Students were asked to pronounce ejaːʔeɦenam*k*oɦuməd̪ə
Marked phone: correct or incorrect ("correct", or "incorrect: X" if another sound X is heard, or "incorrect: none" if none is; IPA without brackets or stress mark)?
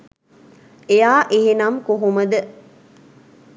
correct